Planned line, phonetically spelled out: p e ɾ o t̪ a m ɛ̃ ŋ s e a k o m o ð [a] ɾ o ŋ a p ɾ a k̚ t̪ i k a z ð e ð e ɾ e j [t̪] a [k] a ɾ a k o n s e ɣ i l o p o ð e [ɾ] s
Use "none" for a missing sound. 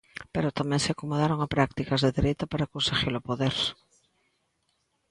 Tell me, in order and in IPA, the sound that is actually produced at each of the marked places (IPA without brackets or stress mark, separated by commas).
a, t̪, p, ɾ